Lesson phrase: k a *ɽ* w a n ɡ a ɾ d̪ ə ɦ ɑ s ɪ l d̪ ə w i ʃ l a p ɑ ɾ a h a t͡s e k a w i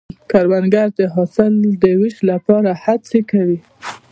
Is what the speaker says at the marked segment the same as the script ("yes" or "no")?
no